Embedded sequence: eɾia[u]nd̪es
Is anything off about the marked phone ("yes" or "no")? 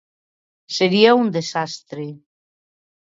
no